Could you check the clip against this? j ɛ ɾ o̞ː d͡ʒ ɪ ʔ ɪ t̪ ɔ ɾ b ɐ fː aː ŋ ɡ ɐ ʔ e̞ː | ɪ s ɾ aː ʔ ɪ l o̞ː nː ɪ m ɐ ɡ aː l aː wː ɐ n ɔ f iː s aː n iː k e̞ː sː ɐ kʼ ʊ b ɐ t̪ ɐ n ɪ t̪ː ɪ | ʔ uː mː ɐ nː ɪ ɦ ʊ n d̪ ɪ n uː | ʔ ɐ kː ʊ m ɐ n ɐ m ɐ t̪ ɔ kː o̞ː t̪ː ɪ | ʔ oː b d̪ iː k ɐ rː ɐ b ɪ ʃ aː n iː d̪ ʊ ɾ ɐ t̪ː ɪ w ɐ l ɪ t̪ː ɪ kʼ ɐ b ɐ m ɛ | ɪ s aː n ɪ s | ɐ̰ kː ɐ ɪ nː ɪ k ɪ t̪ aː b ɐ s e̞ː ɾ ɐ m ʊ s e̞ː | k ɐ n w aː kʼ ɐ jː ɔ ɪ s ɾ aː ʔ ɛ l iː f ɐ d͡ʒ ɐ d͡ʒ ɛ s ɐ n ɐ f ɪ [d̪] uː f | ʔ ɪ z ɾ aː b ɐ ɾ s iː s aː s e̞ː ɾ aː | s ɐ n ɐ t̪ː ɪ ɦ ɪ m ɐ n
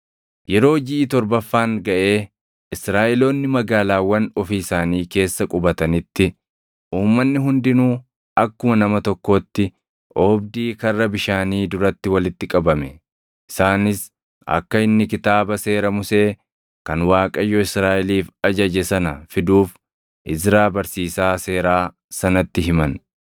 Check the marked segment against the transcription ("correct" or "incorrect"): correct